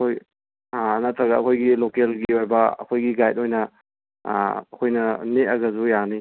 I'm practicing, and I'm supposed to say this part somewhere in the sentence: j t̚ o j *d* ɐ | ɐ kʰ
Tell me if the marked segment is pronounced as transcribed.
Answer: no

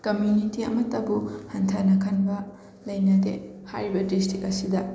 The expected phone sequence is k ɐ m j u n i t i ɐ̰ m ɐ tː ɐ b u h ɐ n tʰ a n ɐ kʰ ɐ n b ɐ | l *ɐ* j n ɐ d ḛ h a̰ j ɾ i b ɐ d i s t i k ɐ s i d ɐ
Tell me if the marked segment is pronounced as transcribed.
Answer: yes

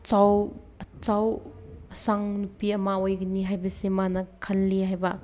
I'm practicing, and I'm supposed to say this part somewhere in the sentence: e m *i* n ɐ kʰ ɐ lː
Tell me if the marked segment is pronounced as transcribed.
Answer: no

